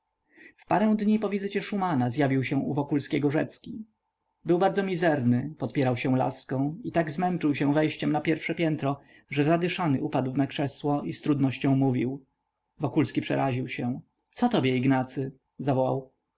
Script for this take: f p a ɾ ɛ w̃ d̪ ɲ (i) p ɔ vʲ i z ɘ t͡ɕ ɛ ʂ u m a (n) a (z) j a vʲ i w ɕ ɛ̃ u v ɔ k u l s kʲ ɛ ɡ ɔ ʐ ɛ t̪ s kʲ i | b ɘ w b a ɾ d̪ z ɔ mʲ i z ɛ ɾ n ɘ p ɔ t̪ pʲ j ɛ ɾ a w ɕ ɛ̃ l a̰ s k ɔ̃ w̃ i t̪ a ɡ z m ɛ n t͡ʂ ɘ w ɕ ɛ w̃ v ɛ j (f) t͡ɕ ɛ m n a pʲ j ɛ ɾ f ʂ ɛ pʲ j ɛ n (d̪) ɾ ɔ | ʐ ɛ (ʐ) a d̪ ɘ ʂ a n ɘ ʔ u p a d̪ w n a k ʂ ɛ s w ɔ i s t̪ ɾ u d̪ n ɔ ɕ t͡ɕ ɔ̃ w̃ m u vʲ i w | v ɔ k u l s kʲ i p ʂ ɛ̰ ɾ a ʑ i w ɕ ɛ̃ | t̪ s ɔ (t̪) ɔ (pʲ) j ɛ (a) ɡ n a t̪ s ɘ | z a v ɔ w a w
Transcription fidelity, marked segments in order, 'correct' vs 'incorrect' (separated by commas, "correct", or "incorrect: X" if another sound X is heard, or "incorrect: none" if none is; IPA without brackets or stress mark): correct, correct, correct, incorrect: ɕ, incorrect: t̪, incorrect: z, correct, incorrect: bʲ, incorrect: i